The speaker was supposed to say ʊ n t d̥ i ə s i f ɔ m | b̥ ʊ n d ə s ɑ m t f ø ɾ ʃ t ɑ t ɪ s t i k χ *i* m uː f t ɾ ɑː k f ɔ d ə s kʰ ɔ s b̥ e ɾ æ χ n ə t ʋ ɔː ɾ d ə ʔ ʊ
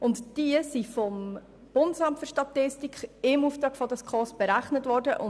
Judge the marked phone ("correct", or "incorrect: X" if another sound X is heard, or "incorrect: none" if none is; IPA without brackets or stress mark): incorrect: ɪ